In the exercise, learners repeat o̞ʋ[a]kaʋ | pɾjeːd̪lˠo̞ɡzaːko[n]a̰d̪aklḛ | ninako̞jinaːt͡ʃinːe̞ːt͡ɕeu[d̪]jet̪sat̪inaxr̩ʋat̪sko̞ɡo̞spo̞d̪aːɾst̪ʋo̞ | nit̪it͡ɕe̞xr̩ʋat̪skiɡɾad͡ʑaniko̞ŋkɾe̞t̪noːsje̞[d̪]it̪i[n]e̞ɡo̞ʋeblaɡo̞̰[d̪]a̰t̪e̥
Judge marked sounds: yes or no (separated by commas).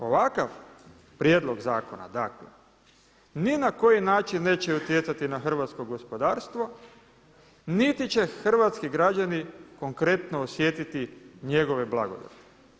yes, yes, no, no, no, yes